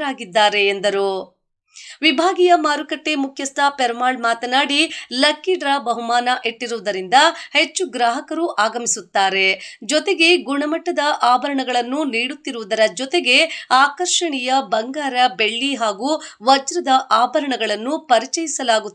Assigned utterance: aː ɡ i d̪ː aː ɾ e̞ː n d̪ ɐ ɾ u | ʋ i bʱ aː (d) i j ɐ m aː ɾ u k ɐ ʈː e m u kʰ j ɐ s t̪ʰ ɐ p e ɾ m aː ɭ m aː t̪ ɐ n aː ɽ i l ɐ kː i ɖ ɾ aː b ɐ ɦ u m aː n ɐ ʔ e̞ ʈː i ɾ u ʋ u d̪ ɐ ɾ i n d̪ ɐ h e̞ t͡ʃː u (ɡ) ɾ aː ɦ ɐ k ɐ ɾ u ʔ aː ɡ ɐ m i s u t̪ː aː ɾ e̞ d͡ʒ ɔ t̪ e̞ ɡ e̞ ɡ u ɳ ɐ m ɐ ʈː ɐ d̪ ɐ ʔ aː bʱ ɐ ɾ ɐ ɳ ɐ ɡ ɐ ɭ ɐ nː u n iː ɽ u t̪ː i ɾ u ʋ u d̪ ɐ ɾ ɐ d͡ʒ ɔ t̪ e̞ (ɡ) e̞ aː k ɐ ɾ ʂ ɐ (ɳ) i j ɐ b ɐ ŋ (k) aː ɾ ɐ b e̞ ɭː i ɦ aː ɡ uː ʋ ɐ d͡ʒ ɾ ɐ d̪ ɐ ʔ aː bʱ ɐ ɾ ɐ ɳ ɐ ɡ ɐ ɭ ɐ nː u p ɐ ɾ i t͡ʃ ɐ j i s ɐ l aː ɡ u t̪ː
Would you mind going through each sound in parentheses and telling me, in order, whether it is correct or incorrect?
incorrect: ɡ, correct, correct, correct, incorrect: ɡ

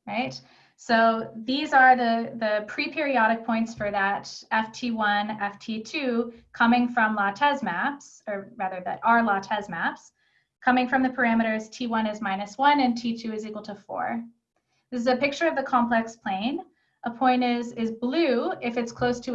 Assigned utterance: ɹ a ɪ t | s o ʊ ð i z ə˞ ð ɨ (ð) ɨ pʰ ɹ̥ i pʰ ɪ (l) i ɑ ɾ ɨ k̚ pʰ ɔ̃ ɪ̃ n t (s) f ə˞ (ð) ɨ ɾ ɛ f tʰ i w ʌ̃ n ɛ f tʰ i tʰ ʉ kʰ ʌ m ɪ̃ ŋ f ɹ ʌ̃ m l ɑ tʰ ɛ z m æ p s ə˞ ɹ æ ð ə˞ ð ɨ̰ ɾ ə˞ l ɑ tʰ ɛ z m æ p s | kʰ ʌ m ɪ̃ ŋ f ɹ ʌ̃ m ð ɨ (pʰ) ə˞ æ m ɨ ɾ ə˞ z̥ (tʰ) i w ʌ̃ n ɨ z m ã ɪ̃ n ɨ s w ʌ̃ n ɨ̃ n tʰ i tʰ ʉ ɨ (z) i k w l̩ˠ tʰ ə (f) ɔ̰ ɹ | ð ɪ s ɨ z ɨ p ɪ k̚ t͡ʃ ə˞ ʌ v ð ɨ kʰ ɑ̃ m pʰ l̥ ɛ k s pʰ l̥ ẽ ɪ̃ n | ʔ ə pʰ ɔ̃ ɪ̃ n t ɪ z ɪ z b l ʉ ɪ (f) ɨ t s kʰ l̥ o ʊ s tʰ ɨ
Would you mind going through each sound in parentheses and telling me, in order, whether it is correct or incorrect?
correct, incorrect: ɹ, correct, correct, correct, correct, correct, correct, correct

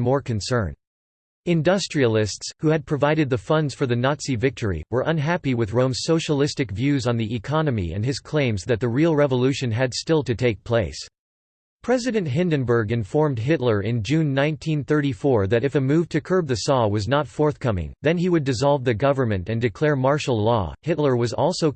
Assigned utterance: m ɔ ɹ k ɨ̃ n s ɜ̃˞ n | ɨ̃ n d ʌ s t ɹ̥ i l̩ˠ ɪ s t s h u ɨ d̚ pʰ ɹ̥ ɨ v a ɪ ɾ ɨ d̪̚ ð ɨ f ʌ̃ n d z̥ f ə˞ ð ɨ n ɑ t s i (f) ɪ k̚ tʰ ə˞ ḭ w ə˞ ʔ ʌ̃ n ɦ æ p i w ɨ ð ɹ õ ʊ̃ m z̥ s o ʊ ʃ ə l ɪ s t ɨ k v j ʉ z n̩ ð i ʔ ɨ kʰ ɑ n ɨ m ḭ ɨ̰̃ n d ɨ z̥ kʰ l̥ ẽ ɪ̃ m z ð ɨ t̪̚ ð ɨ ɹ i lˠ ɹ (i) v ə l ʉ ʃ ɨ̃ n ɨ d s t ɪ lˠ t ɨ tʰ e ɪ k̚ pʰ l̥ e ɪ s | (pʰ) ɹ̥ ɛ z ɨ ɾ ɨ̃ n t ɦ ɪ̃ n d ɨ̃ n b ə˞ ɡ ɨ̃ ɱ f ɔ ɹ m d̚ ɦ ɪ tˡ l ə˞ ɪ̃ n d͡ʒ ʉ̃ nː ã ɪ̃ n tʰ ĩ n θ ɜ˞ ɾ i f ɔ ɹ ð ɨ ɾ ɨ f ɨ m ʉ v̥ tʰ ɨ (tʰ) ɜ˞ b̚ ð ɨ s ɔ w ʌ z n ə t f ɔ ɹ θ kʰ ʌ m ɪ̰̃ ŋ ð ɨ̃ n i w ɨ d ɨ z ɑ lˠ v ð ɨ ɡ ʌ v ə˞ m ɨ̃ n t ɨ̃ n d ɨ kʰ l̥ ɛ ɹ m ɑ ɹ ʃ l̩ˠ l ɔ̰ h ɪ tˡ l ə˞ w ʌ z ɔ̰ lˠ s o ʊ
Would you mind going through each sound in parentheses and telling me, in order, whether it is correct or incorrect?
incorrect: v, incorrect: ɛ, correct, incorrect: kʰ

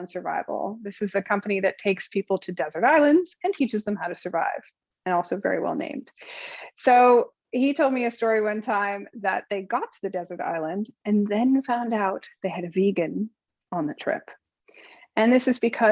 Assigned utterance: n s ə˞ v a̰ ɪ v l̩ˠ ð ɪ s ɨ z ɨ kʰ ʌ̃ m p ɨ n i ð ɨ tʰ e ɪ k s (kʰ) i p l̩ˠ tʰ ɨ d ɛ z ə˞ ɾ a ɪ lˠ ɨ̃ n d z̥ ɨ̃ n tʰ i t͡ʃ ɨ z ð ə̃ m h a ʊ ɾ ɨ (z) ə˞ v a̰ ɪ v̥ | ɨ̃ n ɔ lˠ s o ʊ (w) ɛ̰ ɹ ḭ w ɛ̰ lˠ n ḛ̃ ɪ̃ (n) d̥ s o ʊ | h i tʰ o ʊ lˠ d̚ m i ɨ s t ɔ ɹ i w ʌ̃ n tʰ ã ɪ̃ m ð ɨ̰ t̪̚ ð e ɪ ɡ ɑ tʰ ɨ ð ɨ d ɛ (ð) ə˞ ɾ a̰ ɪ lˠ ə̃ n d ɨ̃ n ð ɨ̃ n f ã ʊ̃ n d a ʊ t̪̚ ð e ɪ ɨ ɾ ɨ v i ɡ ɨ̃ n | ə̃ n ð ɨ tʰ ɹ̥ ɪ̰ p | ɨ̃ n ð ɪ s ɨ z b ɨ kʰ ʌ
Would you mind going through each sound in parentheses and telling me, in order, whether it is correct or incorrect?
incorrect: pʰ, incorrect: s, incorrect: v, incorrect: m, incorrect: z

